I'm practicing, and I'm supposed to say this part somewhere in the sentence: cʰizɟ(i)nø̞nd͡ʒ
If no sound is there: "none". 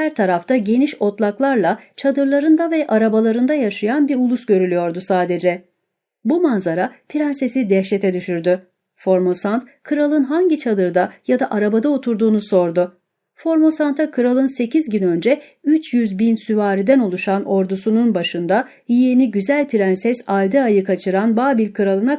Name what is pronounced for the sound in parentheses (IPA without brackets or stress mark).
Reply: y